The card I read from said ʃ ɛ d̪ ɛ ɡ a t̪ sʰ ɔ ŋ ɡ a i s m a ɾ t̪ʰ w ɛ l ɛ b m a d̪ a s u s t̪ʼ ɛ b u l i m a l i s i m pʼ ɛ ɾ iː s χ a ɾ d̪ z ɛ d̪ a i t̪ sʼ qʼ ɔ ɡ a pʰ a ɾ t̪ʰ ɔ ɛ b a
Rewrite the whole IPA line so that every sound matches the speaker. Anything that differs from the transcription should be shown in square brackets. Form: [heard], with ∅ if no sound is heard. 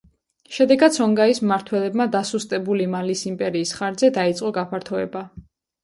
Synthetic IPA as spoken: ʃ ɛ d̪ ɛ ɡ a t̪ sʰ ɔ ŋ ɡ a i s m a ɾ t̪ʰ w ɛ l ɛ b m a d̪ a s u s t̪ʼ ɛ b u l i m a l i s i m pʼ ɛ ɾ iː s χ a ɾ d̪ z ɛ d̪ a i t̪ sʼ qʼ ɔ ɡ a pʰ a ɾ t̪ʰ ɔ ɛ b a

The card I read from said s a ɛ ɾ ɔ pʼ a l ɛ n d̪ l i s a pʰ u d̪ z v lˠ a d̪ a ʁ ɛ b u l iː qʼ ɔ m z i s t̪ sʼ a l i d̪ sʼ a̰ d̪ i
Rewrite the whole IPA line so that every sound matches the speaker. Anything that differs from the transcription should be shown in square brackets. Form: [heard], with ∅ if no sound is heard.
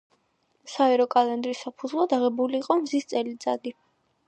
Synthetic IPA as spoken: s a ɛ ɾ ɔ [kʼ] a l ɛ n d̪ [ɾ] i s a pʰ u d̪ z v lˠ a d̪ a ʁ ɛ b u l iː qʼ ɔ m z i s t̪ sʼ [ɛ] l i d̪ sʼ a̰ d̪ i

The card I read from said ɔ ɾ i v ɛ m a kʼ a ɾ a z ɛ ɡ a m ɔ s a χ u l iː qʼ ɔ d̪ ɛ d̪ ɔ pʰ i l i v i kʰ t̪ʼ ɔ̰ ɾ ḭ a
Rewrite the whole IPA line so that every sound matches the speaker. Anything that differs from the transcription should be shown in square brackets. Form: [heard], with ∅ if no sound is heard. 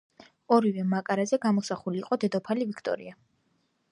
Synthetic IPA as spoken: ɔ ɾ i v ɛ m a kʼ a ɾ a z ɛ ɡ a m ɔ s a χ u l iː qʼ ɔ d̪ ɛ d̪ ɔ pʰ [a] l i v i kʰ t̪ʼ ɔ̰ ɾ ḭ a

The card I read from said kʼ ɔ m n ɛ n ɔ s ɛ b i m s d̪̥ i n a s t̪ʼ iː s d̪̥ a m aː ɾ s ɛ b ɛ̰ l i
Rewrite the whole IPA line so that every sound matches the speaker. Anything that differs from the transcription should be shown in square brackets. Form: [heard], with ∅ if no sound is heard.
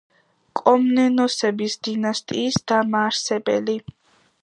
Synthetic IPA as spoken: kʼ ɔ m n ɛ n ɔ s ɛ b i [∅] s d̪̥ i n a s t̪ʼ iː s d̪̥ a m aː ɾ s ɛ b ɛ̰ l i

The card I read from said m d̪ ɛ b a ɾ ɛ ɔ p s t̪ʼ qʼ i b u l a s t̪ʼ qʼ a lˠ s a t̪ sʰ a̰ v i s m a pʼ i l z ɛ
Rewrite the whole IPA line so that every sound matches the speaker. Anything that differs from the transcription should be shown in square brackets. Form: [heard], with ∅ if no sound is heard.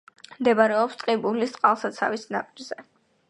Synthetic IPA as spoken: m d̪ ɛ b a ɾ ɛ ɔ p s t̪ʼ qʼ i b u l [i] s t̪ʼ qʼ a lˠ s a t̪ sʰ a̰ v i s [n] a pʼ i [ɾ] z ɛ

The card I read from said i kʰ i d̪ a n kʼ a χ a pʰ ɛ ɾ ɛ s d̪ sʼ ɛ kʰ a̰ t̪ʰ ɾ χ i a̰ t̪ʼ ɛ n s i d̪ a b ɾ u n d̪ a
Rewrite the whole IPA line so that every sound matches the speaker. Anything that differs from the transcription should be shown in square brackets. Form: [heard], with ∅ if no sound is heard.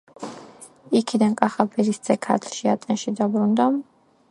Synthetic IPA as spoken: i kʰ i d̪ a n kʼ a χ a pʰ ɛ ɾ [i] s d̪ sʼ ɛ kʰ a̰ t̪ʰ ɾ [ʃ] i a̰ t̪ʼ ɛ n [ʃ] i d̪ a b ɾ u n d̪ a

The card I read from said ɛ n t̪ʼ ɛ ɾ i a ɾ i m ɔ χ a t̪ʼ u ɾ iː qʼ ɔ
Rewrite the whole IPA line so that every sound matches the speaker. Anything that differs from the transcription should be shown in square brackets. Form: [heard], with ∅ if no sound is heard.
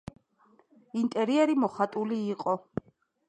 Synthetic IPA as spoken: [i] n t̪ʼ ɛ ɾ i [ɛ] ɾ i m ɔ χ a t̪ʼ u [l] iː qʼ ɔ

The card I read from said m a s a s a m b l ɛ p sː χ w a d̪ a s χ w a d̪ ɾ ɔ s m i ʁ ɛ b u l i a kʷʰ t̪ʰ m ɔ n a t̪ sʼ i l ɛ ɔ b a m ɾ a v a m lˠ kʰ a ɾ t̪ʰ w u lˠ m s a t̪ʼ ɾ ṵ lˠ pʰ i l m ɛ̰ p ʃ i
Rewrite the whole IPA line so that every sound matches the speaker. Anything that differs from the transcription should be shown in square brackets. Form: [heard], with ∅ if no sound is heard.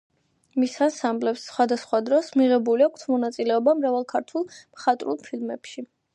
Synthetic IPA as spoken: m [i] s a s a m b l ɛ p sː χ w a d̪ a s χ w a d̪ ɾ ɔ s m i ʁ ɛ b u l i a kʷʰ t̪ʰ m ɔ n a t̪ sʼ i l ɛ ɔ b a m ɾ a v a [∅] lˠ kʰ a ɾ t̪ʰ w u lˠ m [χ] a t̪ʼ ɾ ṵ lˠ pʰ i l m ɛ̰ p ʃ i

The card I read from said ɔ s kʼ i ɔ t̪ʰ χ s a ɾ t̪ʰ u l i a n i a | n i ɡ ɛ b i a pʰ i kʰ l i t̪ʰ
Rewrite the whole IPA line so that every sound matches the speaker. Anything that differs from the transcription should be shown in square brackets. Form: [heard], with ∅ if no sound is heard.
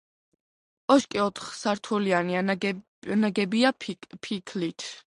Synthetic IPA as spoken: ɔ [ʃ] kʼ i ɔ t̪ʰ χ s a ɾ t̪ʰ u l i a n i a | n [a] ɡ ɛ b i a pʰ i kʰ l i t̪ʰ

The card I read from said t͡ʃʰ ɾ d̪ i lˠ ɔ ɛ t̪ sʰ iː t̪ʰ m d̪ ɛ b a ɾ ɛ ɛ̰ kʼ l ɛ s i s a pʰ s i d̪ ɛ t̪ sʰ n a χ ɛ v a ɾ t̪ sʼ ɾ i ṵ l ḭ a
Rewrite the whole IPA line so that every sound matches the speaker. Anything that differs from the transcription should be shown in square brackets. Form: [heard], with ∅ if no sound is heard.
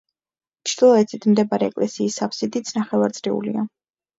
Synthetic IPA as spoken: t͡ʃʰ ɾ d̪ i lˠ ɔ ɛ t̪ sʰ [i] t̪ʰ m d̪ ɛ b a ɾ ɛ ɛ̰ kʼ l ɛ s [iː] s a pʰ s i d̪ [i] t̪ sʰ n a χ ɛ v a ɾ t̪ sʼ ɾ i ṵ l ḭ a

